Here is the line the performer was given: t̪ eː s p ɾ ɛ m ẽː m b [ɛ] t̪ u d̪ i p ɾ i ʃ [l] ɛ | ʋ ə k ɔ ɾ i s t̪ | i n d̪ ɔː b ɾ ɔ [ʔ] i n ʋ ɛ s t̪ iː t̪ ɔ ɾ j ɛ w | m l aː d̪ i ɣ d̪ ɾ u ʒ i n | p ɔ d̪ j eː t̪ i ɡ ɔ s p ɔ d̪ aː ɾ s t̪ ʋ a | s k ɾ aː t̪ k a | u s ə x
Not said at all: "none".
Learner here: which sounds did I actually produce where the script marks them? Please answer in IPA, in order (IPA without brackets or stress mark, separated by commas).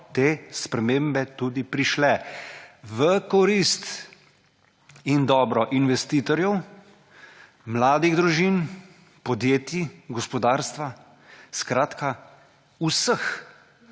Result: ɛ, l, ʔ